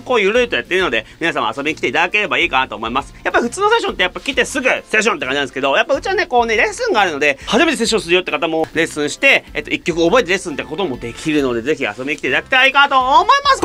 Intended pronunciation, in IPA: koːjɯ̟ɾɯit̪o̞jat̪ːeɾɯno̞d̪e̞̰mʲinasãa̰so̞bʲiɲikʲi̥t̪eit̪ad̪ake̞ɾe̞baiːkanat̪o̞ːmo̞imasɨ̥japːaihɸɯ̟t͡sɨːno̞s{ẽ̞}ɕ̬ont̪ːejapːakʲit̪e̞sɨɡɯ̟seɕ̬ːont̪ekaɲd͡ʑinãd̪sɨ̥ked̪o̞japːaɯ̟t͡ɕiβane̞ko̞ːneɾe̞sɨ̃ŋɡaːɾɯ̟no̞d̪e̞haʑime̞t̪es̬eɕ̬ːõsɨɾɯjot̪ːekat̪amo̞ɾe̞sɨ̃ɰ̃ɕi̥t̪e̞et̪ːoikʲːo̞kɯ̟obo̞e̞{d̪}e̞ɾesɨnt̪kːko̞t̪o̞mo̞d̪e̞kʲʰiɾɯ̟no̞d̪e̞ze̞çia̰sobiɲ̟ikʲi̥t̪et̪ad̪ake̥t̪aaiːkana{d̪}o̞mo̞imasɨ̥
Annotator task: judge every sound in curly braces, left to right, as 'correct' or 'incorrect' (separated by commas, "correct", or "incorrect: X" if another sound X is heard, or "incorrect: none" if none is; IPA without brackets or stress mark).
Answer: incorrect: e̞, incorrect: t̪, incorrect: t̪